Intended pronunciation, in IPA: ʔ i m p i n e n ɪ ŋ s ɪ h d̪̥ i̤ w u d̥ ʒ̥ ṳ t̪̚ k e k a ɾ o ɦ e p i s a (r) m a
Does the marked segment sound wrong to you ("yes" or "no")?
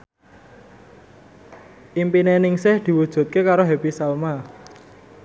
yes